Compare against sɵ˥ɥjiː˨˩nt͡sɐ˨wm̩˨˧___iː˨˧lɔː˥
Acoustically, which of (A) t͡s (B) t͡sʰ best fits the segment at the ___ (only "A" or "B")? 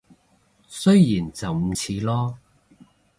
B